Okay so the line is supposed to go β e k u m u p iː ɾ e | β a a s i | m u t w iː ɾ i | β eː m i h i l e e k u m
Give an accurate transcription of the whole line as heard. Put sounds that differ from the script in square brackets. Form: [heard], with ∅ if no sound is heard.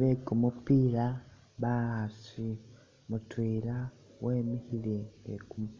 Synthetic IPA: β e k u m u p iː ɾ [a] | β a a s i | m u t w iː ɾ [a] | [w] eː m i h i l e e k u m